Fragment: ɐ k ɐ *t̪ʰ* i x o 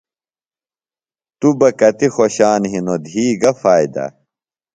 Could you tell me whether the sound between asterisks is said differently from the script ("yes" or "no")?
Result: yes